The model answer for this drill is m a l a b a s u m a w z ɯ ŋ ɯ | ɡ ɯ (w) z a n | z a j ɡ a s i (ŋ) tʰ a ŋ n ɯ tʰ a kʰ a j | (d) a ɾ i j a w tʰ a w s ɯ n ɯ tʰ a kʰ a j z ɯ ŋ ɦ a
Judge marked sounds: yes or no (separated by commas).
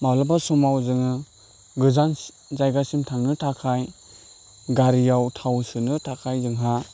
no, no, no